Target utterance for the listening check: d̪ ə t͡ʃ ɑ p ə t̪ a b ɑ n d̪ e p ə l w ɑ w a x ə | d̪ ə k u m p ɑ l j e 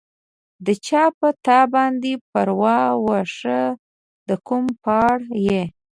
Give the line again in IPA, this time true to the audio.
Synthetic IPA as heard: d̪ ə t͡ʃ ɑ p ə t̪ ɑ b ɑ n d̪ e p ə ɾ w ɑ w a ʂ ə | d̪ ə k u m p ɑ ɽ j e